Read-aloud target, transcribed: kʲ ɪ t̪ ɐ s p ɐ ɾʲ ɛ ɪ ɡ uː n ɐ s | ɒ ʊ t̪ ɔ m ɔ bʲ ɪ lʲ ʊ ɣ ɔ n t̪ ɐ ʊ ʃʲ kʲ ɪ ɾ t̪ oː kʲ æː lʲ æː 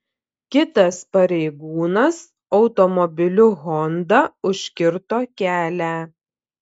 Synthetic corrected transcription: kʲ ɪ t̪ ɐ s p ɐ ɾʲ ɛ ɪ ɡ uː n ɐ s | ɒ ʊ t̪ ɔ m ɔ bʲ ɪ lʲ ʊ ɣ ɔ n d̪ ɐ ʊ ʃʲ kʲ ɪ ɾ t̪ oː kʲ æː lʲ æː